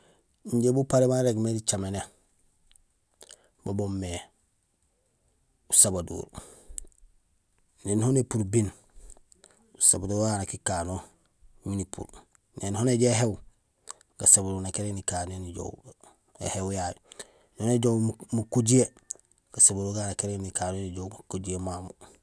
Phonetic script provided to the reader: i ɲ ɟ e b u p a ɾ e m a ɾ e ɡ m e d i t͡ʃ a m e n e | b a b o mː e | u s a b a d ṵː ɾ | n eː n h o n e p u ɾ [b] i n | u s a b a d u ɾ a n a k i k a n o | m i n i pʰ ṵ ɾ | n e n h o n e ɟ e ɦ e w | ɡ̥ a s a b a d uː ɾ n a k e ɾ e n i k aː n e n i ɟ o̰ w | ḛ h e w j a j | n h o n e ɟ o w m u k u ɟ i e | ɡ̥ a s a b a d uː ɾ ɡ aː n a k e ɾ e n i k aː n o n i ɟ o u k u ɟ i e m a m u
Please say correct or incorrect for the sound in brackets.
correct